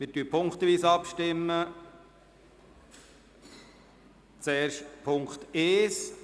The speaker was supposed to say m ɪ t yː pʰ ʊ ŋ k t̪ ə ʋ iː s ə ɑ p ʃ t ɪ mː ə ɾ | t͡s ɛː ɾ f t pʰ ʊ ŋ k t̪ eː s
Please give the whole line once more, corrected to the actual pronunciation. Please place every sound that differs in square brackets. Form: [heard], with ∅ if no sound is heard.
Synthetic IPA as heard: m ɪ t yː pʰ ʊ ŋ k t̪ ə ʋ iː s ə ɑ p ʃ t ɪ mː ə [∅] | t͡s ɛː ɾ [ʃ] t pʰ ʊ ŋ k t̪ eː s